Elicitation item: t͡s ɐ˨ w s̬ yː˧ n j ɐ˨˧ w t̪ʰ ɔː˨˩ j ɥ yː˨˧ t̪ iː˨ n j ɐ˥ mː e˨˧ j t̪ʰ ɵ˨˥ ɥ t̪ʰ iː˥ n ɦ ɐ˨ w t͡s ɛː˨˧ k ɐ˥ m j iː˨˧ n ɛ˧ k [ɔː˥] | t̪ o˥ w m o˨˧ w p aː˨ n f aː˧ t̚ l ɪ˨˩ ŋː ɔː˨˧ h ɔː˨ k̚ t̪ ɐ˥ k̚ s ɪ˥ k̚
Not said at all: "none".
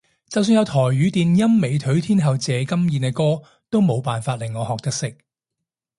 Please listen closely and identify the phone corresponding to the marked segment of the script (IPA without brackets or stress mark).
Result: ɔː˥